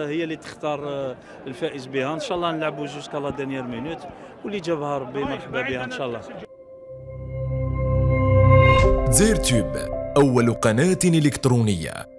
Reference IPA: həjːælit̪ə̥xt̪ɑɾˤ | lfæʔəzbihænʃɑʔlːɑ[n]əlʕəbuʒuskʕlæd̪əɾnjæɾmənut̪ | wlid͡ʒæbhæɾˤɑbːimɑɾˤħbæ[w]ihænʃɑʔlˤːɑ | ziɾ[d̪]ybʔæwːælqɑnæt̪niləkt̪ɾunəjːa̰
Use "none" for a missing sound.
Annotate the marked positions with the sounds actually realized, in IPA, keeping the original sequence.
n, b, t̪

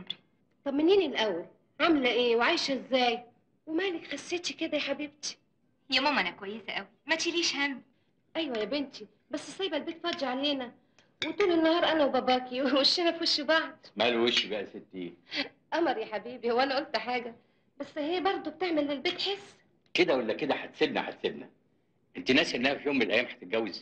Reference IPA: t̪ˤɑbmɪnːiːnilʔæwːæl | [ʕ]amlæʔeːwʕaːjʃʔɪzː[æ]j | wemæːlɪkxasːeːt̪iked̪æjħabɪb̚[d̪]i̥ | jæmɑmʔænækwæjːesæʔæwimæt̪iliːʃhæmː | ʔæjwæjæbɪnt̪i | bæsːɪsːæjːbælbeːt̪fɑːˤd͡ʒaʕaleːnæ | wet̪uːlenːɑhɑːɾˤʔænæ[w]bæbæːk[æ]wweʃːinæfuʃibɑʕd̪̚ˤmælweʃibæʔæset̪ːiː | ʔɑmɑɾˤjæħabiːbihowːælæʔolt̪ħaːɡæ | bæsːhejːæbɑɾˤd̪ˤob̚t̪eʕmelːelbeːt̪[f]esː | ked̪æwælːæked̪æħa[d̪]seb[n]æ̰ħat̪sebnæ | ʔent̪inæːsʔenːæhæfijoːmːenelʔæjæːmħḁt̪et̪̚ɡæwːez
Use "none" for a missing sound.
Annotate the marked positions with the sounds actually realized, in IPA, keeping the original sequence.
ʕ, æː, t̪, w, i, ħ, t̪, n

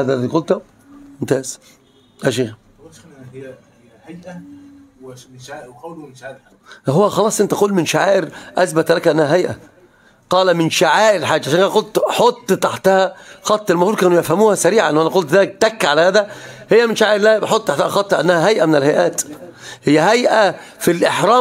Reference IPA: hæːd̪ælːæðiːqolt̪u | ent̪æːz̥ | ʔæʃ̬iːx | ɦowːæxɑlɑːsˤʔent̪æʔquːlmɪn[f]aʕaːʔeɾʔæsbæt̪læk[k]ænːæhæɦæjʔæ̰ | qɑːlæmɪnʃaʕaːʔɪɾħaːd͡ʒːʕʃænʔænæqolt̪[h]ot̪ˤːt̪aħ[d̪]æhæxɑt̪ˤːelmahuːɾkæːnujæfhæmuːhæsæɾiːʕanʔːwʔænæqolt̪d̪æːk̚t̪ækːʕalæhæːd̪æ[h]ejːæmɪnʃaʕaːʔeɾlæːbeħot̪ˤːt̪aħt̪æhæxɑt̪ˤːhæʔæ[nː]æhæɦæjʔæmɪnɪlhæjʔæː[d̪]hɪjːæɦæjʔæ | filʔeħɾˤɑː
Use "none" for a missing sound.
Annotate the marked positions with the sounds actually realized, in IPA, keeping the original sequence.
ʃ, ʔ, ħ, t̪, h, nː, t̪

